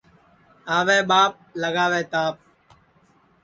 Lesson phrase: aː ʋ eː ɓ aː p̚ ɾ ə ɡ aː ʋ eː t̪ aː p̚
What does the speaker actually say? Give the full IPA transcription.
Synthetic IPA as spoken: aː ʋ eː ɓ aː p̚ l ə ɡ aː ʋ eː t̪ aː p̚